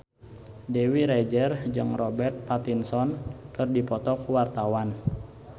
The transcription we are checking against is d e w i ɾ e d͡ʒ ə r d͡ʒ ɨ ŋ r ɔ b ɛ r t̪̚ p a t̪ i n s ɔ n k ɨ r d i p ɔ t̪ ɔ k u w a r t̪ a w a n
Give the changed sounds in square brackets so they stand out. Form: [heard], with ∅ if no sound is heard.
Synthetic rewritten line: d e w i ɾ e d͡ʒ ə r d͡ʒ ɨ ŋ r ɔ b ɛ r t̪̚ p a t̪ i n s ɔ n k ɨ r d i p ɔ t̪ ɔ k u w a r t̪ a w a n